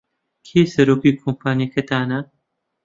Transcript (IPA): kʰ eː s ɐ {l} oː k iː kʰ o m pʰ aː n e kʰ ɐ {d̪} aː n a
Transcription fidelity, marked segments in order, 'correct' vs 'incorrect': incorrect: ɾ, incorrect: t̪

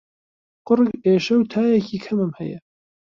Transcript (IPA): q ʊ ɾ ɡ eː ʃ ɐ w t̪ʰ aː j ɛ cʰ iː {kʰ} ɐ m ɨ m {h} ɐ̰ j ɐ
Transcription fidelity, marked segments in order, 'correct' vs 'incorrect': correct, correct

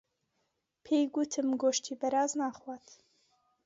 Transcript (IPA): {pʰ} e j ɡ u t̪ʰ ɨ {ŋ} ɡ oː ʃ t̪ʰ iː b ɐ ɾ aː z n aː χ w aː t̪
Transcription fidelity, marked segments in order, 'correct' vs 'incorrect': correct, incorrect: m

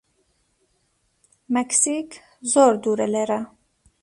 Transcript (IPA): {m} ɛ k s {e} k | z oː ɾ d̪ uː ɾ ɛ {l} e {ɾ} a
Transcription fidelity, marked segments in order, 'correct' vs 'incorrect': correct, incorrect: i, correct, correct

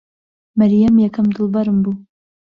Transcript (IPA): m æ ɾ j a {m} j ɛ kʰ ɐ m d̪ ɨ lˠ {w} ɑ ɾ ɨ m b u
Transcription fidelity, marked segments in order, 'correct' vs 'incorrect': correct, incorrect: b

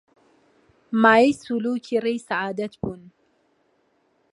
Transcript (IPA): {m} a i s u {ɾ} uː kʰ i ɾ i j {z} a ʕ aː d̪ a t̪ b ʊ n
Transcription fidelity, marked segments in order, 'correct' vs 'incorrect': correct, incorrect: l, incorrect: s

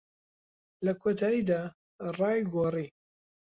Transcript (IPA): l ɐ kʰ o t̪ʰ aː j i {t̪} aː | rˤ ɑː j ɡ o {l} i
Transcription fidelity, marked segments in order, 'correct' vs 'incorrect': incorrect: d̪, incorrect: r

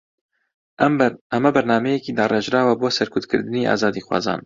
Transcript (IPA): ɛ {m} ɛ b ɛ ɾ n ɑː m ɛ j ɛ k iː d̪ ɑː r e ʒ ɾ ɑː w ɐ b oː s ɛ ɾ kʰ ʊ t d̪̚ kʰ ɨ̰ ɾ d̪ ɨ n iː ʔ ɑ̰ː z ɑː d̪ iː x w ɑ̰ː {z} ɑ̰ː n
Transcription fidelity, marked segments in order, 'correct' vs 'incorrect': correct, correct

